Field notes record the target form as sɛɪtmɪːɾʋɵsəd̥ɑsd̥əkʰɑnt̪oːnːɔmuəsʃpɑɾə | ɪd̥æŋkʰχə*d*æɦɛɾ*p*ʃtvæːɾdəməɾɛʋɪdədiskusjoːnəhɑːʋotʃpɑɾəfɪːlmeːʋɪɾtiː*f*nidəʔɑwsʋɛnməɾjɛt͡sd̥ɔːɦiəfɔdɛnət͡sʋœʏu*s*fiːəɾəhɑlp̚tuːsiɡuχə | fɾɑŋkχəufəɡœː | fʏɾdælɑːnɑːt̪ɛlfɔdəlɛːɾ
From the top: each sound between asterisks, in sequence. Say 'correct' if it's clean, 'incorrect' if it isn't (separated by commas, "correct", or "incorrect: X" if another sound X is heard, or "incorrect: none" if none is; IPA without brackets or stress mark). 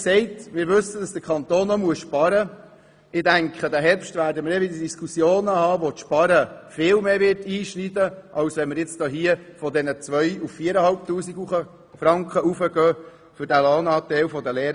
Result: correct, correct, incorrect: ʃ, incorrect: f